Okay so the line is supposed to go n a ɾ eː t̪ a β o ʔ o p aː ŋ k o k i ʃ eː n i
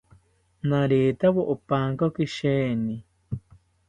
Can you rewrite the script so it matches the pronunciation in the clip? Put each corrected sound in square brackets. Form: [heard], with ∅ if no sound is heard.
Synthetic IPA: n a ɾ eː t̪ a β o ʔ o p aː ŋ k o k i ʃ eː n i

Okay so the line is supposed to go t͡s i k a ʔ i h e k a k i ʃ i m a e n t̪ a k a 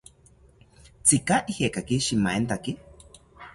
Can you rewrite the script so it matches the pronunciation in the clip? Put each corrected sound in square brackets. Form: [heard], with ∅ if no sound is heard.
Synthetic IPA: t͡s i k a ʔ i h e k a k i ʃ i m a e n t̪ a k [i]

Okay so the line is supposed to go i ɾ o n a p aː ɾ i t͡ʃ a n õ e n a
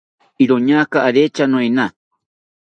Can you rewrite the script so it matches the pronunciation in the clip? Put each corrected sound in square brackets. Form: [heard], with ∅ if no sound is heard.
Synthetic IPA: i ɾ o [ɲ] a [k] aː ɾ [e] t͡ʃ a n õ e n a

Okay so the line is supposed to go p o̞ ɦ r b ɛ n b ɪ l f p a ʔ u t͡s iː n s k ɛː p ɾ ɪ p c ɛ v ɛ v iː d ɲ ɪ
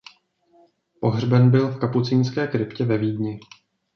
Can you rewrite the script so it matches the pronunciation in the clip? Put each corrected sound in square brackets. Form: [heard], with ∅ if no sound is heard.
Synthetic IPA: p o̞ ɦ r b ɛ n b ɪ l f [k] a [p] u t͡s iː n s k ɛː [k] ɾ ɪ p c ɛ v ɛ v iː d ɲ ɪ

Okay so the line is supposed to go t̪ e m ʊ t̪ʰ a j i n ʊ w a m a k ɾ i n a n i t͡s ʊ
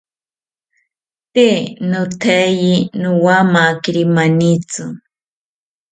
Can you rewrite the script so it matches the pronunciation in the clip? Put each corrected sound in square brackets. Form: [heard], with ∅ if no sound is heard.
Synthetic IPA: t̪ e [n] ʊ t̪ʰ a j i n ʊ w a m a k ɾ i [m] a n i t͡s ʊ

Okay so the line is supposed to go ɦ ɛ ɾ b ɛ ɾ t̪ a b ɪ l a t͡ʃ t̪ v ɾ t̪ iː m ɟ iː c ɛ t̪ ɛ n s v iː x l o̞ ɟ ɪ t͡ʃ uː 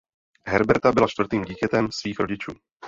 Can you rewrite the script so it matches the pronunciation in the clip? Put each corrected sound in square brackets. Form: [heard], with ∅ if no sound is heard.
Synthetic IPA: ɦ ɛ ɾ b ɛ ɾ t̪ a b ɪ l a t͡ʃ t̪ v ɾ t̪ iː m ɟ iː c ɛ t̪ ɛ [m] s v iː x [ɾ] o̞ ɟ ɪ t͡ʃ uː

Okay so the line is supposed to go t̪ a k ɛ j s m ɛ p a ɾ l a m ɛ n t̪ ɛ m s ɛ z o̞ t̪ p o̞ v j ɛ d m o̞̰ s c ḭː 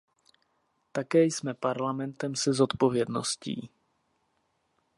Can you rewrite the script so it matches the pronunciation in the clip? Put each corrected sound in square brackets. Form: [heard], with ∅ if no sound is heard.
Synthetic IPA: t̪ a k [ɛː] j s m ɛ p a ɾ l a m ɛ n t̪ ɛ m s ɛ z o̞ t̪ p o̞ v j ɛ d [n] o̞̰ s c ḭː

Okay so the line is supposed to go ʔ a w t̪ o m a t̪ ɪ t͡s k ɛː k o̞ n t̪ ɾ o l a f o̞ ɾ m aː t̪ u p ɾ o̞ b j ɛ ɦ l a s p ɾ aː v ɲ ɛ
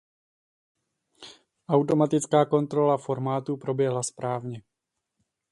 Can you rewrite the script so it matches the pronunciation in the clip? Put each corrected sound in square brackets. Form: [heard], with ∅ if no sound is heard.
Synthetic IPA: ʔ a w t̪ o m a t̪ ɪ t͡s k [aː] k o̞ n t̪ ɾ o l a f o̞ ɾ m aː t̪ u p ɾ o̞ b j ɛ ɦ l a s p ɾ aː v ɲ ɛ

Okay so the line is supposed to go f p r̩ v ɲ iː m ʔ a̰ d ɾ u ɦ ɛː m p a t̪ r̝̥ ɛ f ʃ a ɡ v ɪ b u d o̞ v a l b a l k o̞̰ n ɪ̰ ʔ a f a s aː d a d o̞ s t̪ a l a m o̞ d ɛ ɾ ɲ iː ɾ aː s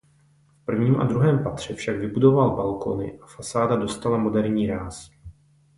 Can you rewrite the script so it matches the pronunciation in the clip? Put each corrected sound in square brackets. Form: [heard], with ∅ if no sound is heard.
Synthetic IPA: f p r̩ v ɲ iː m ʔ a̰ d ɾ u ɦ ɛː m p a t̪ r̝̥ ɛ f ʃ a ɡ v ɪ b u d o̞ v a l b a l k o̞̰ n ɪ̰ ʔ a f a s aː d a d o̞ s t̪ a l a m o̞ d ɛ ɾ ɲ iː ɾ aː s

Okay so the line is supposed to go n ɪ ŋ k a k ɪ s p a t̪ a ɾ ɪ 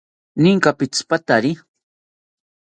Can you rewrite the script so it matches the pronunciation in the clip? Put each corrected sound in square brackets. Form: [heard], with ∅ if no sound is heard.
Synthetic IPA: n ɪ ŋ k a [p] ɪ [t͡s] p a t̪ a ɾ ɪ

